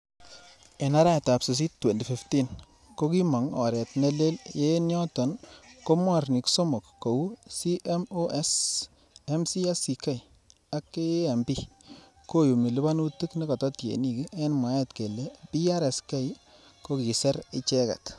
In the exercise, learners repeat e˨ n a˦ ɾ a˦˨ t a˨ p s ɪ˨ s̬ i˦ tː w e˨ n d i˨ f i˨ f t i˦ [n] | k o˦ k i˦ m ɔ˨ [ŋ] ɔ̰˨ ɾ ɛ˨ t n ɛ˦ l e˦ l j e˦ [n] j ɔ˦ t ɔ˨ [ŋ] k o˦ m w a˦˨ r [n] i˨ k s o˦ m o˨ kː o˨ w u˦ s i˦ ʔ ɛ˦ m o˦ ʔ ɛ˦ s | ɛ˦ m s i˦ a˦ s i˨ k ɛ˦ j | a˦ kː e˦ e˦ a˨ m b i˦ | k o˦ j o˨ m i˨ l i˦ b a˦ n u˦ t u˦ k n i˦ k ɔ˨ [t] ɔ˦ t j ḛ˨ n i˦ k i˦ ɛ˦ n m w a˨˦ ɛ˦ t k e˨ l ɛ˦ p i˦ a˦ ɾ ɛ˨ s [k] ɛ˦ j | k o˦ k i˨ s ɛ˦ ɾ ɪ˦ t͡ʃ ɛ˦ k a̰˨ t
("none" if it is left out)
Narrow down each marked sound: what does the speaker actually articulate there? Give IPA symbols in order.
n, ŋ, n, n, n, t, k

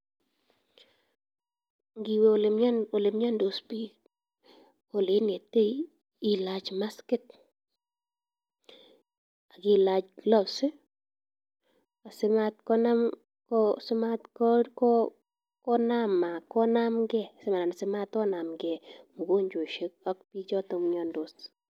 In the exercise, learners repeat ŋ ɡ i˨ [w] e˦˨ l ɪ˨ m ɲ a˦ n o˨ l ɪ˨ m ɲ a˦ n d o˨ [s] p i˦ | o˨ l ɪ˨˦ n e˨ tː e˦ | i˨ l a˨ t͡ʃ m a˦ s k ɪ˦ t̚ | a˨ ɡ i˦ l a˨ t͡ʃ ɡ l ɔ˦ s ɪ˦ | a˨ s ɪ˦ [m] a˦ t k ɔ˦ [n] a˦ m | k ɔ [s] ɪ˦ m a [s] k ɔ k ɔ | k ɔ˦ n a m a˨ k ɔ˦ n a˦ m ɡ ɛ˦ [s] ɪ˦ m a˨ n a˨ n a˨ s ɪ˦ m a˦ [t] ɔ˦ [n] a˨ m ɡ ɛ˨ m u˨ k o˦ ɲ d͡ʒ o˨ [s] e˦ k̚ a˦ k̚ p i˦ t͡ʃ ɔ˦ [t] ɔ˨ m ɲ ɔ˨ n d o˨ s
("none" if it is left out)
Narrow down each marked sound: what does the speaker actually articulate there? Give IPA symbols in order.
w, s, m, n, s, t, s, t, n, ʃ, t

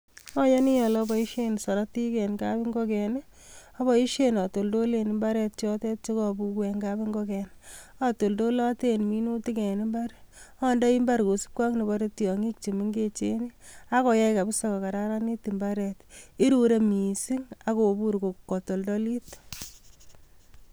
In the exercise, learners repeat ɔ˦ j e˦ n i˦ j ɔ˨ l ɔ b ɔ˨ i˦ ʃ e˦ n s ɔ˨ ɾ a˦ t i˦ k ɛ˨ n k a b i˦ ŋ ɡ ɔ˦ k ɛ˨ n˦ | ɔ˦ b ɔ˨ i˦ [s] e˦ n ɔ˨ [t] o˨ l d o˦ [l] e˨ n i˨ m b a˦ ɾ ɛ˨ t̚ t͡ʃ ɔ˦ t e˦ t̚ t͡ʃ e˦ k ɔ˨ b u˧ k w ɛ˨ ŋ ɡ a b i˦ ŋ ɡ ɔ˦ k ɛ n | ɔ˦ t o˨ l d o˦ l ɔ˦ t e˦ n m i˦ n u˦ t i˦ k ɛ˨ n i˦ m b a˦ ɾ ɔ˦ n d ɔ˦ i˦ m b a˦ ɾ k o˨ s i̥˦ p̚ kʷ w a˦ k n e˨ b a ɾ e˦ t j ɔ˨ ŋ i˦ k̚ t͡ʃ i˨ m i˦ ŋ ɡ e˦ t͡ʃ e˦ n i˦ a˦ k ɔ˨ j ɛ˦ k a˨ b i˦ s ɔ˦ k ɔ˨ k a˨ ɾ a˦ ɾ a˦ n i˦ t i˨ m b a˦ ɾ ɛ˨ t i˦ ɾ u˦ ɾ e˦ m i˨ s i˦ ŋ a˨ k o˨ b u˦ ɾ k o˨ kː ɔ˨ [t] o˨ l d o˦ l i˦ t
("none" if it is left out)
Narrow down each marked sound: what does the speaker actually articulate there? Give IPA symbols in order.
ʃ, t, l, t

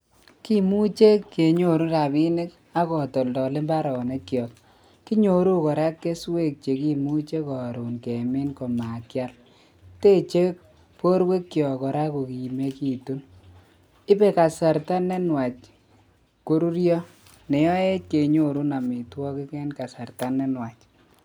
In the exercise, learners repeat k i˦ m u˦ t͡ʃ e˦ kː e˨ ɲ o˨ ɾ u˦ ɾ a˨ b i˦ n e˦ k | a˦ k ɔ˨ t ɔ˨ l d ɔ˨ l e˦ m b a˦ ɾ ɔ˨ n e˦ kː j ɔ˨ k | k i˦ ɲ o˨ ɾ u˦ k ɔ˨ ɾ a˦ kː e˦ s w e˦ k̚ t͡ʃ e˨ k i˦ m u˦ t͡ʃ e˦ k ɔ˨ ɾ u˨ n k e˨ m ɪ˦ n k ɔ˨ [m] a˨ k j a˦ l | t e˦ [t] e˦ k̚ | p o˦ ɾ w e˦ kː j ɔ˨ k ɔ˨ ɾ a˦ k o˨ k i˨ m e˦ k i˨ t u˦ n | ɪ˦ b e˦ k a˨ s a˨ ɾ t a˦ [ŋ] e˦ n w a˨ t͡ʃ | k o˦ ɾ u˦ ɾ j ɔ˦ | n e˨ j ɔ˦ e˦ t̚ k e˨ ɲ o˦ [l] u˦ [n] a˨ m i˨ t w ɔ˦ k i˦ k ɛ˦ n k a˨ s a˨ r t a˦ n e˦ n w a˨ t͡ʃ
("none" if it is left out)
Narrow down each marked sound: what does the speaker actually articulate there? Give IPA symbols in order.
m, t͡ʃ, n, ɾ, n

